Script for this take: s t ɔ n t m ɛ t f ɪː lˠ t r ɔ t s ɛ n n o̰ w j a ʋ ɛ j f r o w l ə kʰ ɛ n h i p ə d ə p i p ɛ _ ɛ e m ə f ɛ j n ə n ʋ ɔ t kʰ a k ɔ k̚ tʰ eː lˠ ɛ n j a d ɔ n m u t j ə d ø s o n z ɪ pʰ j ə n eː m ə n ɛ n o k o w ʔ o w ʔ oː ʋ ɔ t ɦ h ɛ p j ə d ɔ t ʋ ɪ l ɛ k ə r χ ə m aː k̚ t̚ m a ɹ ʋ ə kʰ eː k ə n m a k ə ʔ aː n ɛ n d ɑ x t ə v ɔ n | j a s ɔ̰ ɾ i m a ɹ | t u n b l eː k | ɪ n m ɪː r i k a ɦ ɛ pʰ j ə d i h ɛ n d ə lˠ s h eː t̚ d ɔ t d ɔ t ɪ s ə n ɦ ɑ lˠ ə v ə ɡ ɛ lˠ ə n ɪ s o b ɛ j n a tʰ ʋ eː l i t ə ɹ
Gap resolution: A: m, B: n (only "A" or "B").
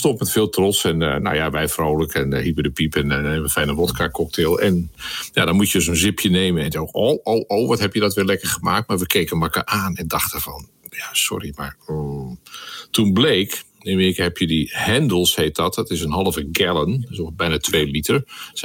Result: B